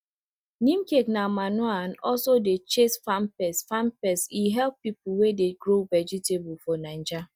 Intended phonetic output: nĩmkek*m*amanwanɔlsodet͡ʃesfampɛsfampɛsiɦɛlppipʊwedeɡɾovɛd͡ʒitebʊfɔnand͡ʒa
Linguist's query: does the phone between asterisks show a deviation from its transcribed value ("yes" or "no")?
yes